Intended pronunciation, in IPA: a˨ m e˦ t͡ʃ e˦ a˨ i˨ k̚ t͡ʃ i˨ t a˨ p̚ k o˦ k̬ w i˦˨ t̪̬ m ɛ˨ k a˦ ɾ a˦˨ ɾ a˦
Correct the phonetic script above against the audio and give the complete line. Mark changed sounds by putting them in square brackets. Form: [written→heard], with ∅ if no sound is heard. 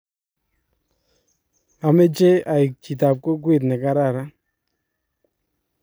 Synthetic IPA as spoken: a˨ m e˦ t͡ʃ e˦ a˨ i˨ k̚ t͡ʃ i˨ t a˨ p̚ k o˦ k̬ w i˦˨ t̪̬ [m→n] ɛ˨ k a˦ ɾ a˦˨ ɾ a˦